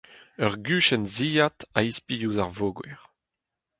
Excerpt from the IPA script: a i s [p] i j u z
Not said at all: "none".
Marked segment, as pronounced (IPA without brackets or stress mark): p